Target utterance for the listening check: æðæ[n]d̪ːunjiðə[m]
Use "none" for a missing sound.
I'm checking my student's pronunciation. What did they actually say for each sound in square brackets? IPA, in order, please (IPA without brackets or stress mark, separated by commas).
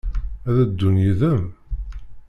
none, m